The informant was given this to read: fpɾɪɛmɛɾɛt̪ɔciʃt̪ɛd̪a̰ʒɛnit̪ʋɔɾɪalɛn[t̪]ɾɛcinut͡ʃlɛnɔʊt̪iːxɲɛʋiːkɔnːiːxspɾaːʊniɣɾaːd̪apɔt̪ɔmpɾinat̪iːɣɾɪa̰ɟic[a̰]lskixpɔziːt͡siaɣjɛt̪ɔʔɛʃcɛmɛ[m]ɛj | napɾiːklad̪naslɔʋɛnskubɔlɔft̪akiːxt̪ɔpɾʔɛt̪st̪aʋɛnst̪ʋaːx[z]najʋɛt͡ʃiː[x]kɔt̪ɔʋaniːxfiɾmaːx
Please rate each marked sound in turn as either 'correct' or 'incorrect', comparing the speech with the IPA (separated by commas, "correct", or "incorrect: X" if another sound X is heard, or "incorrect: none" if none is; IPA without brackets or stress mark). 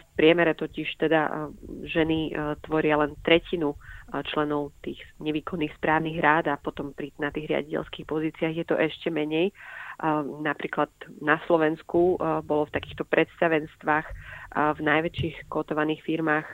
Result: correct, incorrect: ɛ̰, incorrect: ɲ, incorrect: v, correct